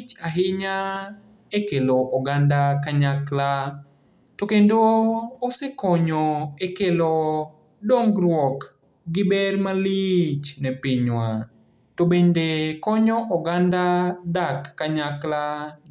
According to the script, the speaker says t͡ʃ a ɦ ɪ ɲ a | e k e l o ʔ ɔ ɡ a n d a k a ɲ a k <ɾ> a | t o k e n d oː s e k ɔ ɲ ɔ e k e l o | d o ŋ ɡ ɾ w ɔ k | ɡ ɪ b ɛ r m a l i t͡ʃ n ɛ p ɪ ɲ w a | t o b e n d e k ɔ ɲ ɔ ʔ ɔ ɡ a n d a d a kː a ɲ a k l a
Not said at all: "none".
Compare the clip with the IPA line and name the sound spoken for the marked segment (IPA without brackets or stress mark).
l